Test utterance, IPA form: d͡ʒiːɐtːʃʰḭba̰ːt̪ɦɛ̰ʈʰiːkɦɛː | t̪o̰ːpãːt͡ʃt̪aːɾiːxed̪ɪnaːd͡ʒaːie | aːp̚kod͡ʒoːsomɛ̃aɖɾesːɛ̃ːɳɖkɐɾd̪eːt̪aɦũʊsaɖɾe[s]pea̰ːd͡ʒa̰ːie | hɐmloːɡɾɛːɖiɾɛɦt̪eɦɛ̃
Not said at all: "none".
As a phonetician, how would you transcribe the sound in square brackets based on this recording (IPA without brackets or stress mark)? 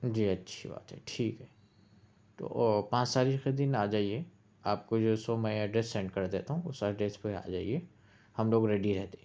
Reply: s